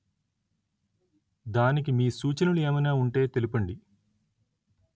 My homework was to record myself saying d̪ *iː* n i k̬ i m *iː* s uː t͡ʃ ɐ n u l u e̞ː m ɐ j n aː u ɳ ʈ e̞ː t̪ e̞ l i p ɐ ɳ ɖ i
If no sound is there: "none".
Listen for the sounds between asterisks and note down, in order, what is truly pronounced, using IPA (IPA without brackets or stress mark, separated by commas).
aː, iː